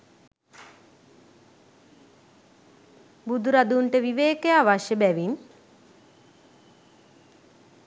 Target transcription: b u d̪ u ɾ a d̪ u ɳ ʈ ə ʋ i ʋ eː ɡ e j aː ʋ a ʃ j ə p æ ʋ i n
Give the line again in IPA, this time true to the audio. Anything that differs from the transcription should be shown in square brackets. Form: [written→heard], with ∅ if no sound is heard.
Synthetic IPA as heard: b u d̪ u ɾ a d̪ u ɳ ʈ ə ʋ i ʋ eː [ɡ→k] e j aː ʋ a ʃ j ə [p→b] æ ʋ i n